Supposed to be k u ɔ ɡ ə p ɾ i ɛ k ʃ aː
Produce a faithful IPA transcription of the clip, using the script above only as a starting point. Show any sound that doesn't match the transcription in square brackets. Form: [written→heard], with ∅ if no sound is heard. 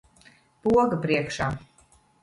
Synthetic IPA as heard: [k→p] u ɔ ɡ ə p ɾ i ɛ k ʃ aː

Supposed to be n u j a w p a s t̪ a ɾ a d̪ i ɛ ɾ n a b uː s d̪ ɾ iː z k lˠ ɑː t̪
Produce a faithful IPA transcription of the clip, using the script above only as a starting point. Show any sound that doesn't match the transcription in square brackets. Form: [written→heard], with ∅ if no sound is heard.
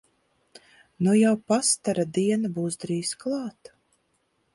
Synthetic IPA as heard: n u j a w p a s t̪ a ɾ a d̪ i ɛ [ɾ→∅] n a b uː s d̪ ɾ iː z k lˠ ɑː t̪

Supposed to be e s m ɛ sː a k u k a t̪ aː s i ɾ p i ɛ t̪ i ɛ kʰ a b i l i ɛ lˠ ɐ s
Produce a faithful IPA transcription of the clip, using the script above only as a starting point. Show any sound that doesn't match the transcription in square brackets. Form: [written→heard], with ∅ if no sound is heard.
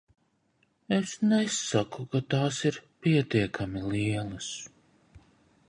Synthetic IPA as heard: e s [m→n] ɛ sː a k u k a t̪ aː s i ɾ p i ɛ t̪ i ɛ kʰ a [b→m] i l i ɛ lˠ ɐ s

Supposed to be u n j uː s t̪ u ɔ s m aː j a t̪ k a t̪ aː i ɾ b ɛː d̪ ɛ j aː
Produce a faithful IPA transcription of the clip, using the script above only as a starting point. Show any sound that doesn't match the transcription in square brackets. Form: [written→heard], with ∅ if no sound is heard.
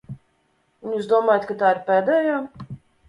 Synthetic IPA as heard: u n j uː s [t̪→d̪] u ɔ [s→∅] m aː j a t̪ k a t̪ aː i ɾ [b→p] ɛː d̪ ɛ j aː

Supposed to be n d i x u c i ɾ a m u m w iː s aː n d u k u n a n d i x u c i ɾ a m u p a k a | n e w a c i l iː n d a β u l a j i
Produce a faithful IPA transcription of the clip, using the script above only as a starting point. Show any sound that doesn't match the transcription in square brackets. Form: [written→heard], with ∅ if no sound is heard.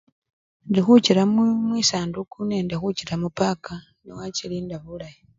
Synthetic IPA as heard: n d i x u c i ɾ a m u m w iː s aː n d u k u n [a→e] n d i x u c i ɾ a m u p a k a | n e w a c i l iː n d a β u l a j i

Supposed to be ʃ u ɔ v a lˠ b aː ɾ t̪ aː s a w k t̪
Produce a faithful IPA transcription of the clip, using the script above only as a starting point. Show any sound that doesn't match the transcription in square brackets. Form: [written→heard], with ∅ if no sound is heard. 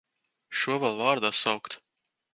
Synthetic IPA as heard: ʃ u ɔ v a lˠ [b→v] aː ɾ [t̪→d̪] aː s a w k t̪

